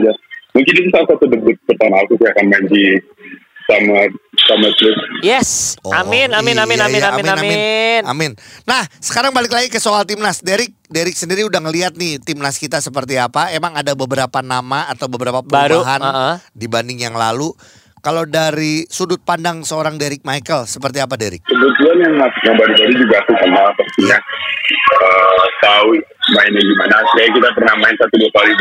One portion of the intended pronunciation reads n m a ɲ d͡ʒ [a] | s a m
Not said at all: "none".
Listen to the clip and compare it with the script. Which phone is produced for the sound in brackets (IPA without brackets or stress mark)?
i